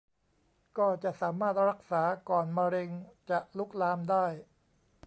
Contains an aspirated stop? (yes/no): no